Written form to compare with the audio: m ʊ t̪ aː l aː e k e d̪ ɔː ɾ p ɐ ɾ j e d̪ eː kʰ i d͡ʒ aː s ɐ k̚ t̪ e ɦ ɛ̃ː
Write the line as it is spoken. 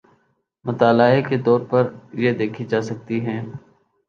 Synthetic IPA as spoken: m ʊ t̪ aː l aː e k e t̪ ɔː ɾ p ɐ ɾ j e d̪ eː kʰ i d͡ʒ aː s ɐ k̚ t̪ i ɦ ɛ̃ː